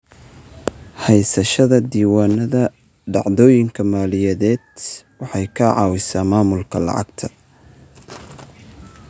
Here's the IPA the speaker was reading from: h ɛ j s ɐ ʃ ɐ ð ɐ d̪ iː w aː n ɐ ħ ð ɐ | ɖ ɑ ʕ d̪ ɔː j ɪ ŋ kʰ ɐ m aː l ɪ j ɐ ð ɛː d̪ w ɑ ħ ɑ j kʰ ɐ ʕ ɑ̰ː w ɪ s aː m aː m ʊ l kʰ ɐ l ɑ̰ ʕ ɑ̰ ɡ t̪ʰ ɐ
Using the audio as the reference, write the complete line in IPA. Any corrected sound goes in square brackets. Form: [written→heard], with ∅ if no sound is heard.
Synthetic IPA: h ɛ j s ɐ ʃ ɐ ð ɐ d̪ iː w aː n ɐ [ħ→∅] ð ɐ | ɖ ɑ ʕ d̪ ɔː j ɪ ŋ kʰ ɐ m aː l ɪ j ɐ ð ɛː d̪ w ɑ ħ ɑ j kʰ ɐ ʕ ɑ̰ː w ɪ s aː m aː m ʊ l kʰ ɐ l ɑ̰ ʕ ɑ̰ ɡ t̪ʰ ɐ